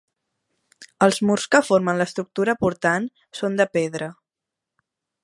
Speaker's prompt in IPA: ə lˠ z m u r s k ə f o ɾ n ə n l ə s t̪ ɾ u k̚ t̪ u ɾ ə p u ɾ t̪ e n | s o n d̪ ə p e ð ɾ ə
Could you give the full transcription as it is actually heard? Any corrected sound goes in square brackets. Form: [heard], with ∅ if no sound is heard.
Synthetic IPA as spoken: ə lˠ z m u r s k ə f o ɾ [m] ə n l ə s t̪ ɾ u k̚ t̪ u ɾ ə p u ɾ t̪ [a] n | s o n d̪ ə p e ð ɾ ə